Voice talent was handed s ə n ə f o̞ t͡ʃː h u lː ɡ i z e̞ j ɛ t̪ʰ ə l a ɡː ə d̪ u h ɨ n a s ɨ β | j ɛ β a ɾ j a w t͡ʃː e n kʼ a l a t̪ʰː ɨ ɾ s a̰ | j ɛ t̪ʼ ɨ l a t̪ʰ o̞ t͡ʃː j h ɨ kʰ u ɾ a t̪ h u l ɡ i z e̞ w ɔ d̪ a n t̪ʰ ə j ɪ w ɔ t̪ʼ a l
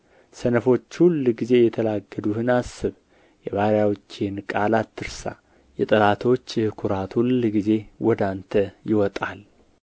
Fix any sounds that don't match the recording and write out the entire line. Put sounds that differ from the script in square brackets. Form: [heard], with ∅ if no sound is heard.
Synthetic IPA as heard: s ə n ə f o̞ t͡ʃː h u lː ɡ i z e̞ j ɛ t̪ʰ ə l a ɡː ə d̪ u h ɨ n a s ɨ β | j ɛ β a ɾ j a w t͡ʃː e n kʼ a l a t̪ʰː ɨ ɾ s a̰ | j ɛ t̪ʼ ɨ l a t̪ʰ o̞ t͡ʃː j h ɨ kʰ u ɾ a t̪ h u l ɡ i z e̞ w ɔ d̪ a n t̪ʰ ə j ɪ w ɔ t̪ʼ a l